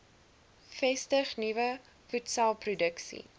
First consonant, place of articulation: labial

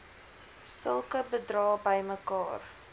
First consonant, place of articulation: alveolar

